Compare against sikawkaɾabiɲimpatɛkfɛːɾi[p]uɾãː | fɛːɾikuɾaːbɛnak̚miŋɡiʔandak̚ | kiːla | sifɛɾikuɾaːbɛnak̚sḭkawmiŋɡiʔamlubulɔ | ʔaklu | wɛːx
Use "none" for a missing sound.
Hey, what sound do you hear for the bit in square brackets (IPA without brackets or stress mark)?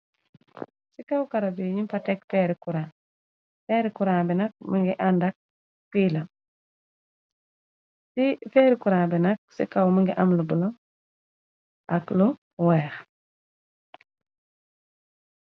k